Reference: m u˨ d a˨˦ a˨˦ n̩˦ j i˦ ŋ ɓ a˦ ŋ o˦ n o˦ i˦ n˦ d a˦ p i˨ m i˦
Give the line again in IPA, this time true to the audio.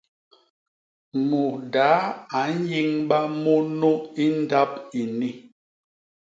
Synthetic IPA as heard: m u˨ d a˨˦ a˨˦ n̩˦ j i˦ ŋ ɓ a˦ m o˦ n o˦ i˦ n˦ d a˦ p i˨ n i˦